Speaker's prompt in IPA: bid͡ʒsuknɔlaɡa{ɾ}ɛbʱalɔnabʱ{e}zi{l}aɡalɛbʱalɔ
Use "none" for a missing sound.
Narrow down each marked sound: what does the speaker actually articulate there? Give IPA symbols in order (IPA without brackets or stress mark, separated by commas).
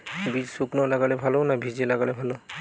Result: l, i, l